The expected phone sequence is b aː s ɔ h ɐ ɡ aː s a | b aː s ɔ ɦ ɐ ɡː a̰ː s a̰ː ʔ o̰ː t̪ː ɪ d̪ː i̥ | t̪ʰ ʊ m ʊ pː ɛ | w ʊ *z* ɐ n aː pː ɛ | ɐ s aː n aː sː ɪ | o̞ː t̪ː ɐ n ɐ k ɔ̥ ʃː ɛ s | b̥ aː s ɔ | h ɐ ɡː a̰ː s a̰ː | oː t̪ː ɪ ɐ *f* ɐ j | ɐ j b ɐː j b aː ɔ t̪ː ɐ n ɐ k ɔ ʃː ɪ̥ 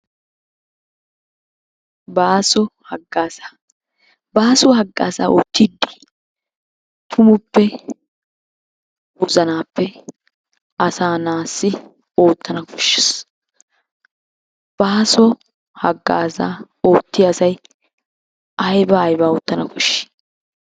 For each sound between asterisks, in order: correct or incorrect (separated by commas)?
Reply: correct, incorrect